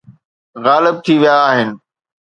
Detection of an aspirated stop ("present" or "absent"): present